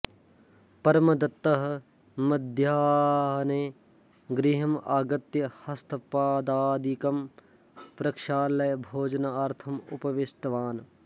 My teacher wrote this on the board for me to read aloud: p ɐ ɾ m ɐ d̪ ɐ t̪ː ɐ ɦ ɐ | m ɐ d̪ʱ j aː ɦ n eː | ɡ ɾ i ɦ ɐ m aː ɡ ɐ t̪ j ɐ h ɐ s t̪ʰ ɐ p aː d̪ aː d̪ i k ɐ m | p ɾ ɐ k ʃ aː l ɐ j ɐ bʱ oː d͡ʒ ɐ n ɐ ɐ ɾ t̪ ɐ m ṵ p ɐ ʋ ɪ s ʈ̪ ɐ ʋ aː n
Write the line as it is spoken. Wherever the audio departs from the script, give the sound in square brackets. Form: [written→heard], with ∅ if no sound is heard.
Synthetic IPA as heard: p ɐ ɾ m ɐ d̪ ɐ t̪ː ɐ ɦ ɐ | m ɐ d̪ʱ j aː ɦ n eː | ɡ ɾ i ɦ ɐ m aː ɡ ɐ t̪ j ɐ h ɐ s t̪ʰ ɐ p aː d̪ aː d̪ i k ɐ m | p ɾ ɐ k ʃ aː l ɐ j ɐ bʱ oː d͡ʒ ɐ n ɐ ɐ ɾ [t̪→t̪ʰ] ɐ m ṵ p ɐ ʋ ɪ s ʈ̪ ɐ ʋ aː n